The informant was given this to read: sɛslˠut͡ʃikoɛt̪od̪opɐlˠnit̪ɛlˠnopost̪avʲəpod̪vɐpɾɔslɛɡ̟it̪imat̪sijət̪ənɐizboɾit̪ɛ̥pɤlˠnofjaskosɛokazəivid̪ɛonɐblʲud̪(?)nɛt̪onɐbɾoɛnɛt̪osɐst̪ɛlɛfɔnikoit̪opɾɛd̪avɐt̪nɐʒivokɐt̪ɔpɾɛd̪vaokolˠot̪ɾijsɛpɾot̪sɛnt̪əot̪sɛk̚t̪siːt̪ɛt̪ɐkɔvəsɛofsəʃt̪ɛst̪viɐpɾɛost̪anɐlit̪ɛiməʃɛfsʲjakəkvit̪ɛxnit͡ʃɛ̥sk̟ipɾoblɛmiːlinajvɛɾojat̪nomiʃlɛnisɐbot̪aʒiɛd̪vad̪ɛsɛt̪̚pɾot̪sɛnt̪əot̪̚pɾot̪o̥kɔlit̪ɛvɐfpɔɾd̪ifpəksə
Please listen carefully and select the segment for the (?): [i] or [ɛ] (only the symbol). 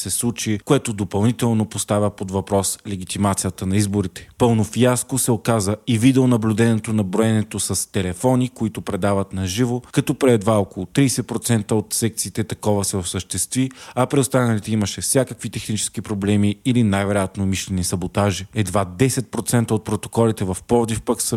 ɛ